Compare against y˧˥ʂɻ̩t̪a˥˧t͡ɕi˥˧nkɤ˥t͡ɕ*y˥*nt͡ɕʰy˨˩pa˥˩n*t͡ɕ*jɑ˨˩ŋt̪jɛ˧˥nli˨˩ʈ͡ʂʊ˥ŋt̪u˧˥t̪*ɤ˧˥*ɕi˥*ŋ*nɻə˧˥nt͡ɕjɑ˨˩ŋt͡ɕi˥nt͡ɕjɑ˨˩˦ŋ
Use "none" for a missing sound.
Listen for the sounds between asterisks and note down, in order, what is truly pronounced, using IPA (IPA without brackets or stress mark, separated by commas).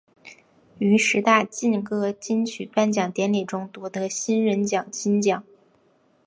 i˥, t͡ɕ, ɤ˧˥, none